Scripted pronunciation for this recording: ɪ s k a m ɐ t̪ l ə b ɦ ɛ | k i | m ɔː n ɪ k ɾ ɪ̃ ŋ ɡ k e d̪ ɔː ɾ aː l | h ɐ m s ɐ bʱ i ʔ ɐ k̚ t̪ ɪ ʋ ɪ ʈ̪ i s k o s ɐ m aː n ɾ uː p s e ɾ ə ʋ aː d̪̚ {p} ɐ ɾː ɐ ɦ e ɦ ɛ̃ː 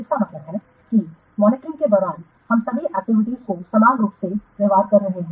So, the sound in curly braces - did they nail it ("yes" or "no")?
no